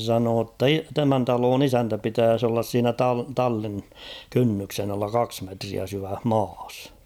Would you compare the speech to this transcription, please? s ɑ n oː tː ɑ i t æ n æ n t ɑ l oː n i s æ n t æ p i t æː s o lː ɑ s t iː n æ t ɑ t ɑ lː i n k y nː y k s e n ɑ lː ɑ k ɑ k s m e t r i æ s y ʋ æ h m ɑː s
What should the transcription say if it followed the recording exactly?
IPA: s ɑ n oː tː ɑ i t æ m æ n t ɑ l oː n i s æ n t æ p i t æː s o lː ɑ s s iː n æ t ɑ t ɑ lː i n k y nː y k s e n ɑ lː ɑ k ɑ k s m e t r i æ s y ʋ æ h m ɑː s